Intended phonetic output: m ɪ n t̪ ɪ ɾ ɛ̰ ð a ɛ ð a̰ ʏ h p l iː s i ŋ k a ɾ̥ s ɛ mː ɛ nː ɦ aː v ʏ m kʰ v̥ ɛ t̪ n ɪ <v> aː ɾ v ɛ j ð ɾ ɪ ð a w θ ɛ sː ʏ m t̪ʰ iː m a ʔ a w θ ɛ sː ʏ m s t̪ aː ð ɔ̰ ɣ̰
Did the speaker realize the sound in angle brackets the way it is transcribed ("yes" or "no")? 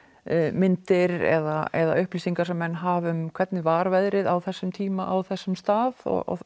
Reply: yes